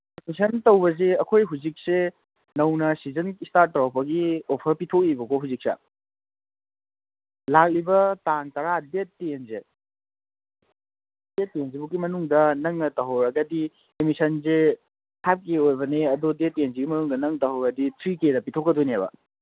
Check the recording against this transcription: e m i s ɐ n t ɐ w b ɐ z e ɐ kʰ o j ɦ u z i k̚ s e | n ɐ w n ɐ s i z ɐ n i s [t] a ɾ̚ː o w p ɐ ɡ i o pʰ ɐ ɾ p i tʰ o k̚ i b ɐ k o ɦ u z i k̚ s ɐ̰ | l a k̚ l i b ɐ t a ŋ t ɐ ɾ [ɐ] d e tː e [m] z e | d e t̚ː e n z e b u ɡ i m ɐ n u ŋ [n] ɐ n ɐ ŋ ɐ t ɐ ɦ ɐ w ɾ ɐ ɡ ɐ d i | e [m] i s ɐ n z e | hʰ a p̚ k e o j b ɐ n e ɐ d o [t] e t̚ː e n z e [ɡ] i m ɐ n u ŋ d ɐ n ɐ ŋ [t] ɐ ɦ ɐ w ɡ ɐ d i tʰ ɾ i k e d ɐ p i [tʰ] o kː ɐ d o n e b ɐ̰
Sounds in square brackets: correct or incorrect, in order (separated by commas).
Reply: correct, incorrect, incorrect, incorrect, correct, incorrect, correct, correct, correct